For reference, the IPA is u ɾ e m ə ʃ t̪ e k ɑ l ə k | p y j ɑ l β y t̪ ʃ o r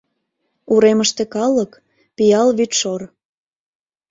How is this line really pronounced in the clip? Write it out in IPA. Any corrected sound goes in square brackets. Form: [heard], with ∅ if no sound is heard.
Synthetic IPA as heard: u ɾ e m ə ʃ t̪ e k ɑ l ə k | p [i] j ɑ l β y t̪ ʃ o r

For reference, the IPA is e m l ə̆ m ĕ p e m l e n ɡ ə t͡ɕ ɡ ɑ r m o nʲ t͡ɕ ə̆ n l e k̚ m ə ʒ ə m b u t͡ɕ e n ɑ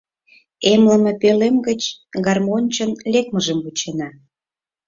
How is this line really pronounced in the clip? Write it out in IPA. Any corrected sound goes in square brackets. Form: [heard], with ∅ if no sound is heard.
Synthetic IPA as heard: e m l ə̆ m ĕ p e [∅] l e [m] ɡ ə t͡ɕ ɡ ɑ r m o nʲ t͡ɕ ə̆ n l e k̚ m ə ʒ ə m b u t͡ɕ e n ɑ

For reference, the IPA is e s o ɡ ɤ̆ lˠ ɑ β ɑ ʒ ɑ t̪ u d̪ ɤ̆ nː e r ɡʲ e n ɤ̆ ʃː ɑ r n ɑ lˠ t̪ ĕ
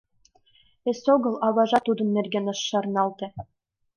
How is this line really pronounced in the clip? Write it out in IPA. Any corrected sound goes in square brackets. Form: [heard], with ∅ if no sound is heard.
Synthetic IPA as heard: e s o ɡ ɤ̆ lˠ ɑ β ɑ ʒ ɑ t̪ u d̪ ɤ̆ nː e r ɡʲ e n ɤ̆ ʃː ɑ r n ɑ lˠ t̪ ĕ

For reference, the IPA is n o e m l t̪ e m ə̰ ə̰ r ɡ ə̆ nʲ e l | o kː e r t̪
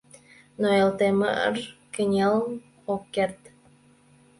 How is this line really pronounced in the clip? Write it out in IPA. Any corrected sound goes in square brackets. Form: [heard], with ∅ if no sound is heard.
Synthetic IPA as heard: n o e [∅] l t̪ e m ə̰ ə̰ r [k] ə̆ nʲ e l | o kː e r t̪

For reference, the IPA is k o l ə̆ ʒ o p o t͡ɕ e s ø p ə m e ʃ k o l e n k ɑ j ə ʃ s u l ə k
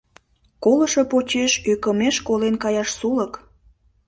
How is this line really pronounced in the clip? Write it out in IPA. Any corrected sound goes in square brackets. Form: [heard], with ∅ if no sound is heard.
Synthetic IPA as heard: k o l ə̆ [ʃ] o p o t͡ɕ e [ʃ] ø [k] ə m e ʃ k o l e n k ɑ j [ɑ] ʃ s u l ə k

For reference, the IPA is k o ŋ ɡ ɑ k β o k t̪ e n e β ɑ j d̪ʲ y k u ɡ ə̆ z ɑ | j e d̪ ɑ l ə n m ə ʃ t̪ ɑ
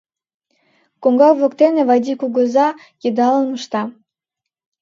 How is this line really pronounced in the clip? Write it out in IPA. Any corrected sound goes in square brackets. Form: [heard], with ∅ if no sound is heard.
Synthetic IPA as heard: k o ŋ ɡ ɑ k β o k t̪ e n e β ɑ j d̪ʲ [i] k u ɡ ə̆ z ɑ | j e d̪ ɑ l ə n m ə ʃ t̪ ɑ

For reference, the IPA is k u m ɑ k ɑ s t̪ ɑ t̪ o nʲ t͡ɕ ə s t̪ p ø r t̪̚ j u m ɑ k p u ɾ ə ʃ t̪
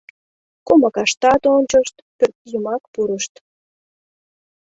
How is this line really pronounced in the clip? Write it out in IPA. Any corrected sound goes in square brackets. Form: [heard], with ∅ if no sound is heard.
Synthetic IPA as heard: k [o] m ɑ k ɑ [ʃ] t̪ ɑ t̪ o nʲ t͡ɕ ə [ʃ] t̪ p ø r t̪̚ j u m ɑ k p u ɾ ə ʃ t̪

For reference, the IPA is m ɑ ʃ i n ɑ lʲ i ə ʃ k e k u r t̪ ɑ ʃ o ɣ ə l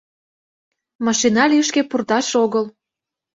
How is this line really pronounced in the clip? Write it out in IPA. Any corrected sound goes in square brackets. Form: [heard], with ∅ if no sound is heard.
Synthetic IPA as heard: m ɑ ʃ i n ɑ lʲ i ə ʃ k e [p] u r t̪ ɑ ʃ o ɣ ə l

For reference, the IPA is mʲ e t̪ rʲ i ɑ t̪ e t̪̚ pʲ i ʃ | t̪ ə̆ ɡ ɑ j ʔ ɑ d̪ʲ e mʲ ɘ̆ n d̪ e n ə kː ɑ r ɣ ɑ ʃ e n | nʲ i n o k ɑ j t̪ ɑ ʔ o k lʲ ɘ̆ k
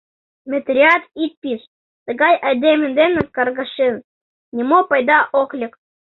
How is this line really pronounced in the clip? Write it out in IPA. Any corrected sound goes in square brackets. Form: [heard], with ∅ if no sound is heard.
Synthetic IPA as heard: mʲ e t̪ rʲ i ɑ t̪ [i] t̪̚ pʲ i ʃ | t̪ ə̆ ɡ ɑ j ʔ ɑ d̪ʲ e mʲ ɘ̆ n d̪ e n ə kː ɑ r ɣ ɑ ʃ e n | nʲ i [m] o [p] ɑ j [d̪] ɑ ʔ o k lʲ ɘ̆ k

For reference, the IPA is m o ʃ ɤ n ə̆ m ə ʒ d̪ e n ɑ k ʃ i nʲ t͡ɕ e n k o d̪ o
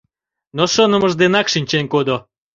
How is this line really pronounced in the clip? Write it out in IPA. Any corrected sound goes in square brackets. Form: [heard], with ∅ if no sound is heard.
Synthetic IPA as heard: [n] o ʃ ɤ n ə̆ m ə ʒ d̪ e n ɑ k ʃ i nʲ t͡ɕ e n k o d̪ o

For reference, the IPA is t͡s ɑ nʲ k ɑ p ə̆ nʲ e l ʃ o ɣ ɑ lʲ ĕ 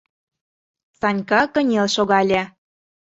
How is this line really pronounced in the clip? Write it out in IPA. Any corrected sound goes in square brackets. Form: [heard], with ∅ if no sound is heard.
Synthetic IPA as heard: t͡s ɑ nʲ k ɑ [k] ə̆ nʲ e l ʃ o ɣ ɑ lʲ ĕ

